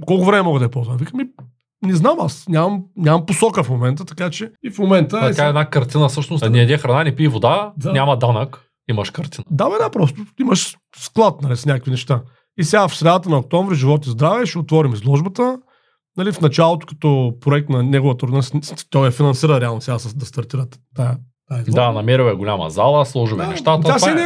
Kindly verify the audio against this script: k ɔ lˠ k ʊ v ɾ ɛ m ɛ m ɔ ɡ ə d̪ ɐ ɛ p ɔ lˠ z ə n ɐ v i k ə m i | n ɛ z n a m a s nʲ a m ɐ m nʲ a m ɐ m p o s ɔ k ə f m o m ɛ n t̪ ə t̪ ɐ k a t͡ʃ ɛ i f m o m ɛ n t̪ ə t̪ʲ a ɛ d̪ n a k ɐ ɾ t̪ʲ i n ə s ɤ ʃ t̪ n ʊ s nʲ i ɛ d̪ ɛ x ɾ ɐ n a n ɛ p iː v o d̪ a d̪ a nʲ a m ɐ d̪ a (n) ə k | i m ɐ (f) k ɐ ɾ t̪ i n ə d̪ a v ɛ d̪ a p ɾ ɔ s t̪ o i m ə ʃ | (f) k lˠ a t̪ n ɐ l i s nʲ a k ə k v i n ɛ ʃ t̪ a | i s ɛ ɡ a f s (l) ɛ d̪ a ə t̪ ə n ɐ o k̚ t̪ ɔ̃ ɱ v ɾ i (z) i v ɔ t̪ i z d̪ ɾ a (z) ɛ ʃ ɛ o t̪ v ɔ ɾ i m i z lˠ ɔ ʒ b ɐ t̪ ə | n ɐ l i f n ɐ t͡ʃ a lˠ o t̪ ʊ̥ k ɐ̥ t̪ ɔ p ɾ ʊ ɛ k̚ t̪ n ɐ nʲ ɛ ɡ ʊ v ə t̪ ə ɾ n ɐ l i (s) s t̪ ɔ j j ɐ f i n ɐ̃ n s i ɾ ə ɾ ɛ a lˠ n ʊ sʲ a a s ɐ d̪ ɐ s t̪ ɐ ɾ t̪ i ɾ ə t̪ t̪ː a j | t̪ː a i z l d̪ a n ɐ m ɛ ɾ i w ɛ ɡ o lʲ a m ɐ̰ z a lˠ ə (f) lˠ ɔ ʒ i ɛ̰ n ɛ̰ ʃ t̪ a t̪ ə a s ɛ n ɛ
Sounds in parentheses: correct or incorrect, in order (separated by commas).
correct, incorrect, incorrect, incorrect, incorrect, incorrect, correct, incorrect